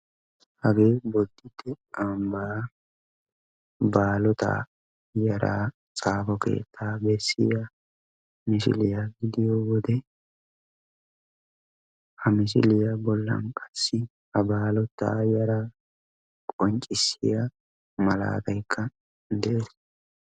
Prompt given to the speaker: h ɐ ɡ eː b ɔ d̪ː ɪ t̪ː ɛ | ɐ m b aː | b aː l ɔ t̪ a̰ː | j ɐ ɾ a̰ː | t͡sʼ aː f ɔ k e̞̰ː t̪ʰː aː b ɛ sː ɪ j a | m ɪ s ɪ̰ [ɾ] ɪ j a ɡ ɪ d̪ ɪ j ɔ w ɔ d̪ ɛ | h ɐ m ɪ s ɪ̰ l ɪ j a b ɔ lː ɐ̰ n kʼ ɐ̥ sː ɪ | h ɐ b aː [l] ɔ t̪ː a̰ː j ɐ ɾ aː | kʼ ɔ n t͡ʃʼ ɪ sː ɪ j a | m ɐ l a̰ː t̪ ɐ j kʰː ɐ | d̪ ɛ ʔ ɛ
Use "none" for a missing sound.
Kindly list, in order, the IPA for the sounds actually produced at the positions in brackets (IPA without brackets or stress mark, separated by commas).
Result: l, l